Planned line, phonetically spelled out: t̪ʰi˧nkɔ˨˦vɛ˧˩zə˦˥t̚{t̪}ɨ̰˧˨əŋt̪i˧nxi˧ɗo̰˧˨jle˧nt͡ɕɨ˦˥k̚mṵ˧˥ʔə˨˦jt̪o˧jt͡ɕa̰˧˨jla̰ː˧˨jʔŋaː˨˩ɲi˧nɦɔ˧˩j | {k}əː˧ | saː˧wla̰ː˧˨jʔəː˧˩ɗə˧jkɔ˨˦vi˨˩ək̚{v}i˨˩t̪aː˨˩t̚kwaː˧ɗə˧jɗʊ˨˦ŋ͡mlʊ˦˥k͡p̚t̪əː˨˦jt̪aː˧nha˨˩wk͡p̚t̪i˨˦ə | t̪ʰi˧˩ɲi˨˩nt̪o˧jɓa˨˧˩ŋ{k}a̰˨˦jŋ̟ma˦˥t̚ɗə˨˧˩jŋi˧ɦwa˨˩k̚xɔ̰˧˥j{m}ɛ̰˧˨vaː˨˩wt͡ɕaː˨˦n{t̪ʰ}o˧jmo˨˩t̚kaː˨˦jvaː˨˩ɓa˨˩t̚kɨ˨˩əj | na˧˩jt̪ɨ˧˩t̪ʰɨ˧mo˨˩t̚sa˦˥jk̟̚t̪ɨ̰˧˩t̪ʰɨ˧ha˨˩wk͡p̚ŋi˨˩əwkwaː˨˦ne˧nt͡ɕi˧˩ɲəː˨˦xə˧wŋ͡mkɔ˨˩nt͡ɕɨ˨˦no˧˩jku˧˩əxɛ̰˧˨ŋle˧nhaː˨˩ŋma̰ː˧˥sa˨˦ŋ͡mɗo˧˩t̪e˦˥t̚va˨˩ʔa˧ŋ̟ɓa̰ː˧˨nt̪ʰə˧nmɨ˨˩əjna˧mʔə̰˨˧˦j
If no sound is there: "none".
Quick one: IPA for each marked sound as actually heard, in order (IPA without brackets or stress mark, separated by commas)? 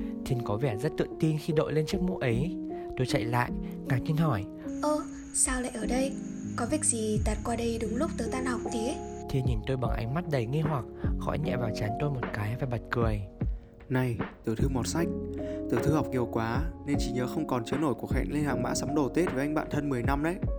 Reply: t̪, ʔ, z, ʔ, ɲ, t̪